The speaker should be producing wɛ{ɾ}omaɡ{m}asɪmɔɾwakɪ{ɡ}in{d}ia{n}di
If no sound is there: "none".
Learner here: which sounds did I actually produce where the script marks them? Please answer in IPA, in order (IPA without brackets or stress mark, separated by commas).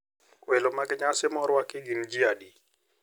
l, ɲ, ɡ, d͡ʒ, none